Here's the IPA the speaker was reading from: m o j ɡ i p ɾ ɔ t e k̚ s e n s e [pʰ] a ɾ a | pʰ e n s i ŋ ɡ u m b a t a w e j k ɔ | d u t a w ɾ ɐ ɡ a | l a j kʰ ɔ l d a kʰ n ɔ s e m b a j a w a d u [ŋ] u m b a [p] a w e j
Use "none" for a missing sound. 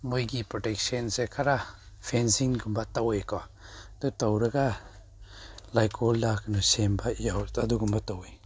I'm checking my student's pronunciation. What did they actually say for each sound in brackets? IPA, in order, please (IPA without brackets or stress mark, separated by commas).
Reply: kʰ, ɡ, t